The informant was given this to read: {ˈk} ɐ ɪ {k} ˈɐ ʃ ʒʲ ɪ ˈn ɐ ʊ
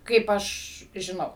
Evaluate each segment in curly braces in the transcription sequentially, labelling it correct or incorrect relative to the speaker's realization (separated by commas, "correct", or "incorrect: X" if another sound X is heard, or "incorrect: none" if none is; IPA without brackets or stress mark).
correct, incorrect: p